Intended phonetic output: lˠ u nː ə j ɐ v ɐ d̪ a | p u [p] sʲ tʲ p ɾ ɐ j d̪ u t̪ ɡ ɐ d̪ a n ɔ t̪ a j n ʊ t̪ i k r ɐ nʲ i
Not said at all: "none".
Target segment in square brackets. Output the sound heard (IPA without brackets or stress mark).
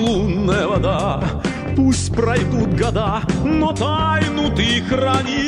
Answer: none